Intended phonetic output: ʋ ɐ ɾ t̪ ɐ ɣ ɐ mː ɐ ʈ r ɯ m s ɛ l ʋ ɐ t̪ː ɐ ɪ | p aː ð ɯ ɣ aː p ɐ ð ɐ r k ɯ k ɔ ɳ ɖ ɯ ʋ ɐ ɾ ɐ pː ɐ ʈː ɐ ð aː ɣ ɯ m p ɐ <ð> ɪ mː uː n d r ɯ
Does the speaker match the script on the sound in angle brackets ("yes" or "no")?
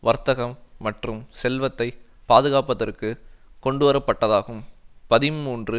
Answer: yes